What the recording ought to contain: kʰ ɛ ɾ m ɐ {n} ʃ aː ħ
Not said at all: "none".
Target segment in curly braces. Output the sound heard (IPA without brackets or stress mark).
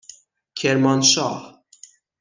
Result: n